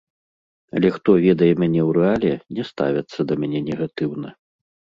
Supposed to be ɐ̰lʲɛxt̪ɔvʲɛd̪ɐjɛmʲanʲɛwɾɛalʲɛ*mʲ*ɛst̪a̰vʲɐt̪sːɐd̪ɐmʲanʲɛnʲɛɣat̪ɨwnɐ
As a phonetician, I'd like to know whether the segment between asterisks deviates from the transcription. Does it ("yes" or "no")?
yes